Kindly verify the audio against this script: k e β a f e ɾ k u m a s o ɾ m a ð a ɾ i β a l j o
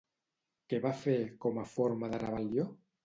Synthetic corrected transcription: k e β a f e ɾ k o m a f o ɾ m a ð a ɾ a β a l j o

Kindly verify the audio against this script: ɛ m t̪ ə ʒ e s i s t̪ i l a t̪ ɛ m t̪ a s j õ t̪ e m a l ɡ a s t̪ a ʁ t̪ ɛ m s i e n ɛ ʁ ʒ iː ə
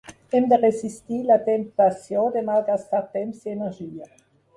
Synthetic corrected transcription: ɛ m d̪ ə ʁ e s i s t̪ i l a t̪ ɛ m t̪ a s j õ d̪ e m a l ɡ a s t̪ a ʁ t̪ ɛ m s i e n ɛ ʁ ʒ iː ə

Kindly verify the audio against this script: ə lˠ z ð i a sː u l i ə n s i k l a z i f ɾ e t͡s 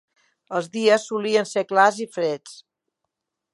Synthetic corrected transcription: ə lˠ z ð i ə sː u l i ə n s e k l a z i f ɾ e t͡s

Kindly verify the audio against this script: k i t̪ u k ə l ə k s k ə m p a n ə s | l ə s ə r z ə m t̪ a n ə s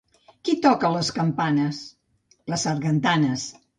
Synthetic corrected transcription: k i t̪ ɔ k ə l ə s k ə m p a n ə s | l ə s ə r ɣ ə n t̪ a n ə s

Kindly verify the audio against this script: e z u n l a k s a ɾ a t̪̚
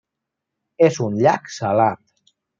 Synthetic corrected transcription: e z u n ʎ a k s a l a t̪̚

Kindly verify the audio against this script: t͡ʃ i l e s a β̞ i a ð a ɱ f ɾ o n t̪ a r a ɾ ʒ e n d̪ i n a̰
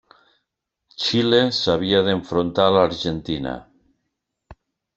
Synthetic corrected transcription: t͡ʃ i l e s a β̞ i a ð e ɱ f ɾ o n t̪ a l a ɾ ʒ e n t̪ i n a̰

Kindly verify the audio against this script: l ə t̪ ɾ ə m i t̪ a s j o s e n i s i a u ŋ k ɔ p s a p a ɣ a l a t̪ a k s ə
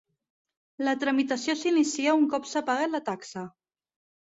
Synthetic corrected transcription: l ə t̪ ɾ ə m i t̪ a s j o s i n i s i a u ŋ k ɔ p s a p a ɣ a l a t̪ a k s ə

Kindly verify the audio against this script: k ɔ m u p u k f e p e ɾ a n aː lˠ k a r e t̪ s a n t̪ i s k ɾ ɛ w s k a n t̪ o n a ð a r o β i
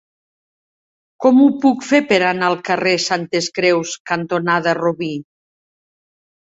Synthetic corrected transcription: k ɔ m u p u k f e p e ɾ a n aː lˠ k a r e s a n t̪ e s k ɾ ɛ w s k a n t̪ o n a ð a r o β i

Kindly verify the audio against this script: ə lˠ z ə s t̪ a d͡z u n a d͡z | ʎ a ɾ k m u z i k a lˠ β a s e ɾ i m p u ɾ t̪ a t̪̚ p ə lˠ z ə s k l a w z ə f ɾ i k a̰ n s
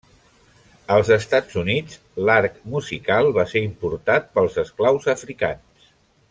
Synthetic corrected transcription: ə lˠ z ə s t̪ a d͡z u n i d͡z | l a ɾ k m u z i k a lˠ β a s e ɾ i m p u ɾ t̪ a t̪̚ p ə lˠ z ə s k l a w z ə f ɾ i k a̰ n s

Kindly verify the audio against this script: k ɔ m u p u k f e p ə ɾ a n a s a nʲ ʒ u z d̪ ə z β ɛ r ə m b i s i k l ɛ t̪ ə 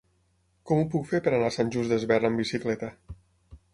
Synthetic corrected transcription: k ɔ m u p u k f e p ə ɾ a n a s a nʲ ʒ u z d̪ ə z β ɛ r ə m b i s i k l ɛ t̪ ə

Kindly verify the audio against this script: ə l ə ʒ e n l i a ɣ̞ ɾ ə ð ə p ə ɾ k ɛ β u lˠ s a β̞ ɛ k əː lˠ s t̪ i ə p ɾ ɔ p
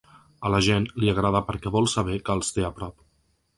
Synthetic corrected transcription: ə l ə ʒ e n l i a ɣ̞ ɾ a ð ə p ə ɾ k ɛ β ɔ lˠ s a β̞ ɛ k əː lˠ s t̪ e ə p ɾ ɔ p

